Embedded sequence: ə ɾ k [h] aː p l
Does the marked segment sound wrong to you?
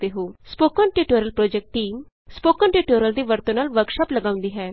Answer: yes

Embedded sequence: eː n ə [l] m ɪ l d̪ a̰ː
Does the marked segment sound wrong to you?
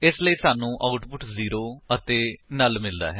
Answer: no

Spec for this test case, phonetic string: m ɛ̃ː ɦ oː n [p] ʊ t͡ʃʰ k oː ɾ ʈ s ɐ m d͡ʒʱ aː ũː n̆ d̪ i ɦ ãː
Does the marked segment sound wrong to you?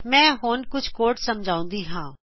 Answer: yes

